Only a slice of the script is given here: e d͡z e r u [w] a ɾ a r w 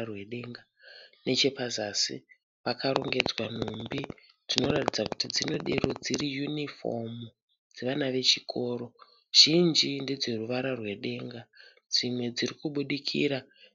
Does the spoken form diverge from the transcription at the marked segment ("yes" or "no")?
yes